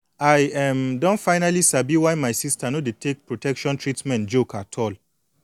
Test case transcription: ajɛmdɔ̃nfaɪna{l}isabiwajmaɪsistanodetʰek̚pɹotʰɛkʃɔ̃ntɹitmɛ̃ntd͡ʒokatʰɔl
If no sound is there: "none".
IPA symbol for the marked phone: l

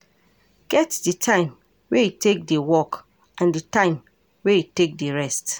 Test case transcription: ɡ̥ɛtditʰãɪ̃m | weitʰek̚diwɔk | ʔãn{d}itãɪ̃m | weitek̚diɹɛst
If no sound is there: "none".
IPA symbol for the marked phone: d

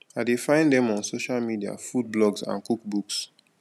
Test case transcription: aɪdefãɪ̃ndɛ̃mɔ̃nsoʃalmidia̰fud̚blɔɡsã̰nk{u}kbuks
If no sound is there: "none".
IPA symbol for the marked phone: u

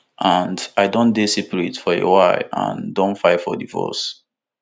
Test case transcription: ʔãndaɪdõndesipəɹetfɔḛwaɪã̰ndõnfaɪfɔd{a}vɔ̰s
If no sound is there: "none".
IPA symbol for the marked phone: i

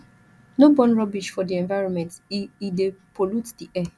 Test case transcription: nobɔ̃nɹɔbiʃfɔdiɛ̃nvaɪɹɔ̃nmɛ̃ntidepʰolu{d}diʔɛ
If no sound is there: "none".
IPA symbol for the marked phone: t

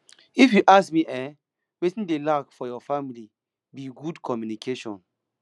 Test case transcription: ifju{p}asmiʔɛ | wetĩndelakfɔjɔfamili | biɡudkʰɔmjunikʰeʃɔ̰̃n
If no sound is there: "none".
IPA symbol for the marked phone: ʔ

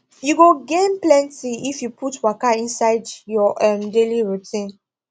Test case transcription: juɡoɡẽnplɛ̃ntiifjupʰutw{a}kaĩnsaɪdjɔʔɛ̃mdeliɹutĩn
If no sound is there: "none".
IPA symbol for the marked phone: a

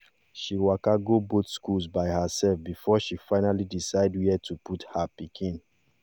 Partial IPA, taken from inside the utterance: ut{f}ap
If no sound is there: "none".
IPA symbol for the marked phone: h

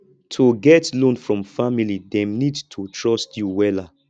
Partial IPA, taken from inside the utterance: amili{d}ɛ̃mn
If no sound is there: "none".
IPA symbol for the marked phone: d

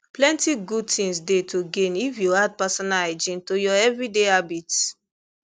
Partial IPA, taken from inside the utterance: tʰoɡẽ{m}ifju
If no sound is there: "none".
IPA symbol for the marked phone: n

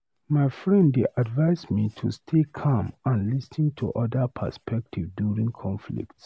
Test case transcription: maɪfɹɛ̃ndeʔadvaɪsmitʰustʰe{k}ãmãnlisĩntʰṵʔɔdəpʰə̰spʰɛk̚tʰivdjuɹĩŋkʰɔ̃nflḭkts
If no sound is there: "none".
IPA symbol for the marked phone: kʰ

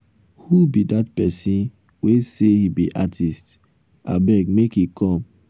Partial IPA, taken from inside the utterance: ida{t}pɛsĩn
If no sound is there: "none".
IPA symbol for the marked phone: t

